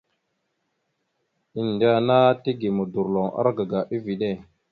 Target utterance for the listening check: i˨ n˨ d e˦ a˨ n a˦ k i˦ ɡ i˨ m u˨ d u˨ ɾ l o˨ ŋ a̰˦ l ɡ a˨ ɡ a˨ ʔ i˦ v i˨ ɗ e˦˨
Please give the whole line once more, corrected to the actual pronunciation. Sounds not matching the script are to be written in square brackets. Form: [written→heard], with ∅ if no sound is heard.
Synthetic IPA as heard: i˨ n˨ d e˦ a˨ n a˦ [k→t] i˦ ɡ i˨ m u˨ d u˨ ɾ l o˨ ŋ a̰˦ [l→ɾ] ɡ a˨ ɡ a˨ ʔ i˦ v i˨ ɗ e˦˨